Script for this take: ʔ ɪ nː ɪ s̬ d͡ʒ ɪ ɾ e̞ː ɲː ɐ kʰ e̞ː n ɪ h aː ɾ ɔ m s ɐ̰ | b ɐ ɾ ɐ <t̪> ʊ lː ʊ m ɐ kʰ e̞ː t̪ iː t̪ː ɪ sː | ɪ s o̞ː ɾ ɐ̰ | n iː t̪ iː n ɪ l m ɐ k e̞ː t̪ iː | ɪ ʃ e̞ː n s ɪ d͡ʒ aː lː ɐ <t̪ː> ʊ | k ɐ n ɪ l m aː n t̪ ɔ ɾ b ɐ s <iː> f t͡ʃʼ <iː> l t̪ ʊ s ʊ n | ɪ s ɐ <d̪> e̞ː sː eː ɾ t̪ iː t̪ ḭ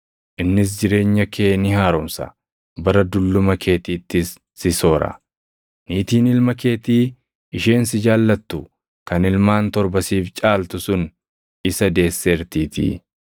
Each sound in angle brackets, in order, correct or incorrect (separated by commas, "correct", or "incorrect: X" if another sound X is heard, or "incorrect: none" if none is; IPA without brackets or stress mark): incorrect: d̪, correct, correct, incorrect: aː, correct